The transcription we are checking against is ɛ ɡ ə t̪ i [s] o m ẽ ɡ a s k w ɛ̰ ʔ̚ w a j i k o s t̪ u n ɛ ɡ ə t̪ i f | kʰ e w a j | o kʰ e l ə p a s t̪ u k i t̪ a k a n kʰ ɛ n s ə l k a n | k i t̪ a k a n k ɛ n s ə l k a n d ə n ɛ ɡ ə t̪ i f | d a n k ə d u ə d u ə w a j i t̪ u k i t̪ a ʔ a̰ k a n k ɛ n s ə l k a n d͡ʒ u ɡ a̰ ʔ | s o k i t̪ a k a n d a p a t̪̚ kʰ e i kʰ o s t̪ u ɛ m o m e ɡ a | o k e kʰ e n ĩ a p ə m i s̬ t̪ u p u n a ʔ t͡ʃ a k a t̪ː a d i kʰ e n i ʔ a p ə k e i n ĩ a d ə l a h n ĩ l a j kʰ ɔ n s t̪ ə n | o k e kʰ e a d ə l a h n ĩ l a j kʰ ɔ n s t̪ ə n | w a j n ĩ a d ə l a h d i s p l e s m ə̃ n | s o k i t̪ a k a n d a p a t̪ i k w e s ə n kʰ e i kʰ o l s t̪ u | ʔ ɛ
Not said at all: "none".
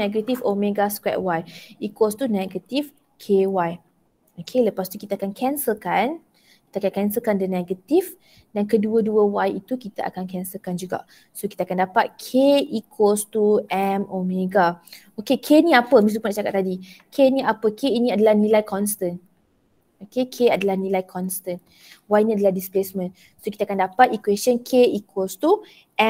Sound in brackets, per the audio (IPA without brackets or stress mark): f